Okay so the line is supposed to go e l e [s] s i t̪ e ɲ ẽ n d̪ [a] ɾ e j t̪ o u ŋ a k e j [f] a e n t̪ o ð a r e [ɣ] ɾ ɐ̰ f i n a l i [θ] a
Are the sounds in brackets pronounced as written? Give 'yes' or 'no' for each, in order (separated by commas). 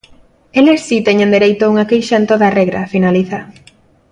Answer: yes, no, no, yes, yes